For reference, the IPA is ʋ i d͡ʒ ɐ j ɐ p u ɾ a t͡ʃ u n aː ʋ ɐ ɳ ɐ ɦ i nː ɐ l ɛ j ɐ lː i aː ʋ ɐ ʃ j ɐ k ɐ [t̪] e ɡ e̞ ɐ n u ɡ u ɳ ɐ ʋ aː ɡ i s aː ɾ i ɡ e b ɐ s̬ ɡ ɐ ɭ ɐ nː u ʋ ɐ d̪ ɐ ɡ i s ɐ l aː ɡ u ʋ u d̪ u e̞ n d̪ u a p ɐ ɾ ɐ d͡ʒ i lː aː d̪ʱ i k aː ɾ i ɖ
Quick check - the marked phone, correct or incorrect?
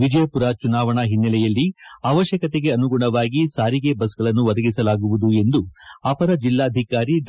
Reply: correct